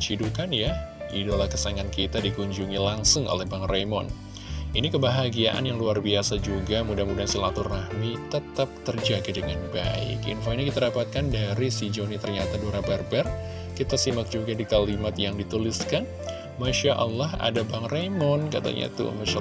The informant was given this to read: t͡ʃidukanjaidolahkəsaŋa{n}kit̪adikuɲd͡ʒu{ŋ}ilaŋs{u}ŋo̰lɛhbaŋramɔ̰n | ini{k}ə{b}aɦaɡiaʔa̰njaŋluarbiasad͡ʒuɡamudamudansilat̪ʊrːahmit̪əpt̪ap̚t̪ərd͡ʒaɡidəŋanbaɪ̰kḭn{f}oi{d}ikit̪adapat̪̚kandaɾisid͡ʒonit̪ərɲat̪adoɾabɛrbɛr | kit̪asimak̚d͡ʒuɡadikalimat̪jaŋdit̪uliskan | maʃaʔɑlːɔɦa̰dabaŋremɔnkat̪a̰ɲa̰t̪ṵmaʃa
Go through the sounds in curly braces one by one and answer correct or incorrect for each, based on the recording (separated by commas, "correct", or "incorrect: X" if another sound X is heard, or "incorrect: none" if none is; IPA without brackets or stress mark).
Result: correct, correct, incorrect: ʊ, correct, correct, correct, incorrect: n